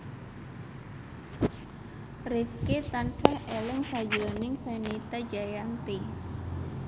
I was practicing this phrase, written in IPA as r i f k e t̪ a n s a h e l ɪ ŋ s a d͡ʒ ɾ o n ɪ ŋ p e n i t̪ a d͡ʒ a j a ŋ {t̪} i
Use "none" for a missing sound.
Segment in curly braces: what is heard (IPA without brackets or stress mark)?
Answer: t̪